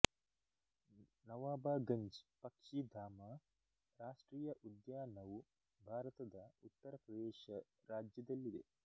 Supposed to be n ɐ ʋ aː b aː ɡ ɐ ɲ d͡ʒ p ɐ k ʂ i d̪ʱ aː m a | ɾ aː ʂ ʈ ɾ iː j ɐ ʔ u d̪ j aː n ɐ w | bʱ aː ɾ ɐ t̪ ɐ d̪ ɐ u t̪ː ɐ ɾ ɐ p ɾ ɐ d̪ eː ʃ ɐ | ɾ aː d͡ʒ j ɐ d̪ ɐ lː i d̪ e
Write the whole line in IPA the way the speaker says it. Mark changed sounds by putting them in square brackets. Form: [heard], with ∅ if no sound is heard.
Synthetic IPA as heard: n ɐ ʋ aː b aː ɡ ɐ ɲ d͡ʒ p ɐ k ʂ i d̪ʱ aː m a | ɾ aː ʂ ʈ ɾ iː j ɐ ʔ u d̪ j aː n ɐ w | bʱ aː ɾ ɐ t̪ ɐ d̪ ɐ u t̪ː ɐ ɾ ɐ p ɾ ɐ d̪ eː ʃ ɐ | ɾ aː d͡ʒ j ɐ d̪ ɐ lː i d̪ e